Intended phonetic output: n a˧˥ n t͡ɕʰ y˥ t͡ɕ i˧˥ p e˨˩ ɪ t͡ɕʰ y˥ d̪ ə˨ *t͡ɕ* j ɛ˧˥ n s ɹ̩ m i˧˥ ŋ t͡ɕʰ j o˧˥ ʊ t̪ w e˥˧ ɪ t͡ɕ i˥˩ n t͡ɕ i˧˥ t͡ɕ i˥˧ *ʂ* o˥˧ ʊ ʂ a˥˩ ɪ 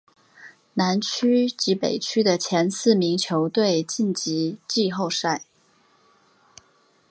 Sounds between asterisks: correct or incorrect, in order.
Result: incorrect: t͡ɕʰ, incorrect: x

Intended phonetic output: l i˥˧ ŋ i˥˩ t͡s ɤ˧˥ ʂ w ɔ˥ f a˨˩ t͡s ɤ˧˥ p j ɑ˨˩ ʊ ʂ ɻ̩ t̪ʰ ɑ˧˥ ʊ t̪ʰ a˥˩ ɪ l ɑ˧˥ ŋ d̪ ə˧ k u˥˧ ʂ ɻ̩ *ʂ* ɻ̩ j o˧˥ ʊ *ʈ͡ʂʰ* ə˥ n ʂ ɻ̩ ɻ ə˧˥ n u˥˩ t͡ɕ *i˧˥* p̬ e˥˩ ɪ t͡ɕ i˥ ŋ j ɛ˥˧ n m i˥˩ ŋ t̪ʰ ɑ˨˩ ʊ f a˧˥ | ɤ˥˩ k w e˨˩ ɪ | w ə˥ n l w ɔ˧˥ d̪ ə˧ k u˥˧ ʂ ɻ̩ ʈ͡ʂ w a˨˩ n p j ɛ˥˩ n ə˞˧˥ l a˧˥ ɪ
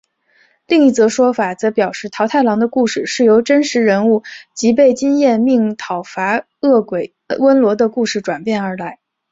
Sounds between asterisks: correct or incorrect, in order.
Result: correct, incorrect: ʈ͡ʂ, correct

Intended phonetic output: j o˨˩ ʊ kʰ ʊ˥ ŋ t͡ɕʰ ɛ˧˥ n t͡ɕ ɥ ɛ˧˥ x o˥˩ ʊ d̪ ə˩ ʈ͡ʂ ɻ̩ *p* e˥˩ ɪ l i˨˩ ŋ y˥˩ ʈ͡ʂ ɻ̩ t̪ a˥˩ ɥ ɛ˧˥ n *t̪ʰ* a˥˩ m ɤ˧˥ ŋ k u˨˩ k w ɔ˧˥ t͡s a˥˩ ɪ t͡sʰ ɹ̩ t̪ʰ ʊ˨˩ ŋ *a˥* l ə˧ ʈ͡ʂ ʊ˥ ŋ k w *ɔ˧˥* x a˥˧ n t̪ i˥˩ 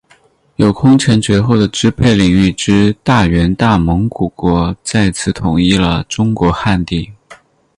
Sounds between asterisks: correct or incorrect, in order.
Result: incorrect: pʰ, incorrect: t̪, incorrect: i˥, correct

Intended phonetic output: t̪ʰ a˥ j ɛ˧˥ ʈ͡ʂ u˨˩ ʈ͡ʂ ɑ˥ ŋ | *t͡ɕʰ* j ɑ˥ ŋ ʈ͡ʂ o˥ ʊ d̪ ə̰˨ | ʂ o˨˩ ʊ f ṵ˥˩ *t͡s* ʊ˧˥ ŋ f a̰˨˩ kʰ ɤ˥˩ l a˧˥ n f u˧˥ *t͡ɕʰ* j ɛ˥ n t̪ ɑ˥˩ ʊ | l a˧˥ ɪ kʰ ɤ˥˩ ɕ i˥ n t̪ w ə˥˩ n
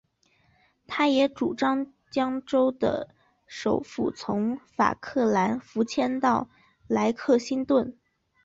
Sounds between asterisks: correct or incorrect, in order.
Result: incorrect: t͡ɕ, incorrect: t͡sʰ, correct

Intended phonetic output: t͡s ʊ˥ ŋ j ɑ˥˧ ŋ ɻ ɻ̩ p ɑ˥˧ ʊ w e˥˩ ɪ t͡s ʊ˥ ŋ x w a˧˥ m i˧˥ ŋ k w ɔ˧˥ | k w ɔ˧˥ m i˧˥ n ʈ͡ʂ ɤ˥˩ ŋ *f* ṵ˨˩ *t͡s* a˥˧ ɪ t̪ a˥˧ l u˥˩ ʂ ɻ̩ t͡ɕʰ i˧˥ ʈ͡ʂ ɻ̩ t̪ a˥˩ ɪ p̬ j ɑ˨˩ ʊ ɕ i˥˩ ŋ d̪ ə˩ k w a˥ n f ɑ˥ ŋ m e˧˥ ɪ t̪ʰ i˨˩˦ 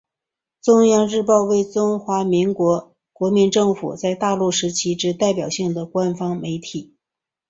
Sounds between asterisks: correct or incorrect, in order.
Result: correct, correct

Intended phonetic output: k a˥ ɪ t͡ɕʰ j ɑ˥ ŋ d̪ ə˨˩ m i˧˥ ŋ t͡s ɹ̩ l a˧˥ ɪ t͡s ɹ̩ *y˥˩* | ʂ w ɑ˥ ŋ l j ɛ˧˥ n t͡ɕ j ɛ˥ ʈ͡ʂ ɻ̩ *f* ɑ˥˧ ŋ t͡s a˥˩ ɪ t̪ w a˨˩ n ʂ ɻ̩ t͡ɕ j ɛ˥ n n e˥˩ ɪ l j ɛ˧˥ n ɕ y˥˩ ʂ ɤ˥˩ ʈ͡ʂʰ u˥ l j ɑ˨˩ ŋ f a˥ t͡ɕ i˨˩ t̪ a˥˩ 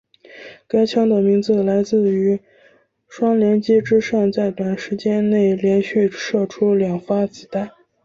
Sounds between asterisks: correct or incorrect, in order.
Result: incorrect: y˧˥, incorrect: ʂ

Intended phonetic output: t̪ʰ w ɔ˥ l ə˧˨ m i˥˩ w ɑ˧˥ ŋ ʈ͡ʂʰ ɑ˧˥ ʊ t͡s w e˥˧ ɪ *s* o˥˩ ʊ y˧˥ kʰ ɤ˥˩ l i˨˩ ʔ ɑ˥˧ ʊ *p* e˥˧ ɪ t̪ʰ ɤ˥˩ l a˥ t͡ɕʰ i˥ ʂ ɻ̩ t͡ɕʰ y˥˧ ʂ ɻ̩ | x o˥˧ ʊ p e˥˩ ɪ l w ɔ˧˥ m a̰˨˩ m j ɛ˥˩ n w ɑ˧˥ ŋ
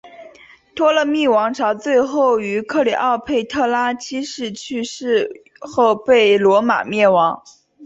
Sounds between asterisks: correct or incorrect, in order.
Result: incorrect: x, incorrect: pʰ

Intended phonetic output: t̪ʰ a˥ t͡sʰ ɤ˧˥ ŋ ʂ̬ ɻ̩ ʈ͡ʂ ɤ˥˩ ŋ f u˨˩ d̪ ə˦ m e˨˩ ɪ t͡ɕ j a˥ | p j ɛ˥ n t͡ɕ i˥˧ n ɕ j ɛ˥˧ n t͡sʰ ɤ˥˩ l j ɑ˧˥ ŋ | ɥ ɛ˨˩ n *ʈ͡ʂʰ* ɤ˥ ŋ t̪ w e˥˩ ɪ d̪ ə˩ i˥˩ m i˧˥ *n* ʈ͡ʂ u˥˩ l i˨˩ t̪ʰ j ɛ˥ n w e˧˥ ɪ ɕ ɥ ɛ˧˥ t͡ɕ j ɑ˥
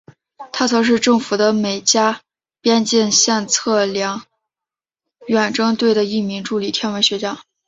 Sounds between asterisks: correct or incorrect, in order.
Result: incorrect: ʈ͡ʂ, incorrect: ŋ

